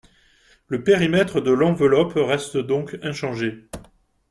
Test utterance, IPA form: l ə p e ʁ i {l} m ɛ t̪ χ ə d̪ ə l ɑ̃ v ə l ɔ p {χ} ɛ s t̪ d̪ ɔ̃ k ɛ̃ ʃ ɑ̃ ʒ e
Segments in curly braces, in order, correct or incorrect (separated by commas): incorrect, incorrect